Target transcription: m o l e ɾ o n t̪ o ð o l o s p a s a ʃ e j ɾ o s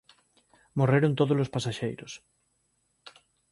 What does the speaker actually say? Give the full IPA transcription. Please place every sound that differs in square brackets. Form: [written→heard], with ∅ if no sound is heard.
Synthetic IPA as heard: m o [l→r] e ɾ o n t̪ o ð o l o s p a s a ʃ e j ɾ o s